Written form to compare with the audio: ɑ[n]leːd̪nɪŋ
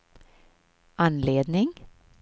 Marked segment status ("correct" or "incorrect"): correct